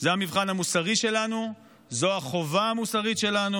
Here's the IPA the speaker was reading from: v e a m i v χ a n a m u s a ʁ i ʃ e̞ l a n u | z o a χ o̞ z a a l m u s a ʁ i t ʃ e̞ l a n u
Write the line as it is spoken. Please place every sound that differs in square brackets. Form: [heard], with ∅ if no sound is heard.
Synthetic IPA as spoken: [z] e a m i v χ a n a m u s a ʁ i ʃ e̞ l a n u | z o a χ o̞ [v] a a [∅] m u s a ʁ i t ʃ e̞ l a n u